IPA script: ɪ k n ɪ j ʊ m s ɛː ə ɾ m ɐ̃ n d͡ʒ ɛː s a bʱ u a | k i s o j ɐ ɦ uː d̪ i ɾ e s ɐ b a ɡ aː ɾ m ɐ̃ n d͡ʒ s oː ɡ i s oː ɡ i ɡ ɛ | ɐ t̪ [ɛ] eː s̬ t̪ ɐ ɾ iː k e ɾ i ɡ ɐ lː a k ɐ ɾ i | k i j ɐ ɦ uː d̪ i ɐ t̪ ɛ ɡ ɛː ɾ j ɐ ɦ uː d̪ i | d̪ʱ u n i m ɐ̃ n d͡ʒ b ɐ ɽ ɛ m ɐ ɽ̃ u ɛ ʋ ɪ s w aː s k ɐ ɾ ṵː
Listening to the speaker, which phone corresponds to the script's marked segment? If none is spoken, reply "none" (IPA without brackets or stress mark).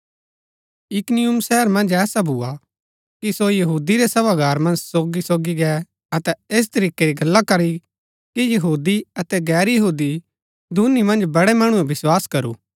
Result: ɛ